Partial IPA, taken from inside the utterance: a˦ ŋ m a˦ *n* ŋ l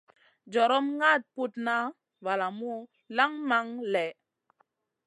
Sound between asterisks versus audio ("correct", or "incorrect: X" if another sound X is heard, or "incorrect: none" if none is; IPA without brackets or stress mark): incorrect: none